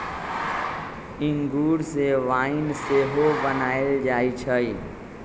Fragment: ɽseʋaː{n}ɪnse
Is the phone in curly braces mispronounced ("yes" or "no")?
yes